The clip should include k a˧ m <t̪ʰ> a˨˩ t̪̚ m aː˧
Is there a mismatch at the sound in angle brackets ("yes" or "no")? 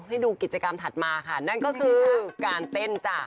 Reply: no